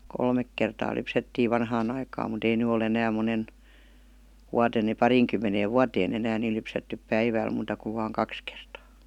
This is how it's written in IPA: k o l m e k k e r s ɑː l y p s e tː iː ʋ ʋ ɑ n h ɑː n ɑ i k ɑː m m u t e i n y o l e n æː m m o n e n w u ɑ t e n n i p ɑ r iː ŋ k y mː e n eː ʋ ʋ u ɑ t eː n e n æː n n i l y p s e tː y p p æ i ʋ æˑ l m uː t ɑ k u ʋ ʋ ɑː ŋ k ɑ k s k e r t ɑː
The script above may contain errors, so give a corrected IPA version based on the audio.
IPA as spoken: k o l m e k k e r t ɑː l y p s e tː iː ʋ ʋ ɑ n h ɑː n ɑ i k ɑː m m u t e i n y o l e n æː m m o n e n w u ɑ t e n n i p ɑ r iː ŋ k y mː e n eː ʋ ʋ u ɑ t eː n e n æː n n i l y p s e tː y p p æ i ʋ æˑ l m uː t ɑ k u ʋ ʋ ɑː ŋ k ɑ k s k e r t ɑː